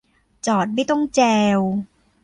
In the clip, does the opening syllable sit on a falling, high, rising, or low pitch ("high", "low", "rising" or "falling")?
low